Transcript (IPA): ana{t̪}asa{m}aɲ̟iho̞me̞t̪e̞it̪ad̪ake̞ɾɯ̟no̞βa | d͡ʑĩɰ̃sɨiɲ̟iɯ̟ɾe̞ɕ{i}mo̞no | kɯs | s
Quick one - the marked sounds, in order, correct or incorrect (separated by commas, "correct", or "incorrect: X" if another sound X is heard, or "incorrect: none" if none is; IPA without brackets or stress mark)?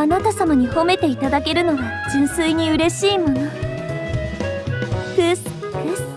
correct, correct, incorrect: iː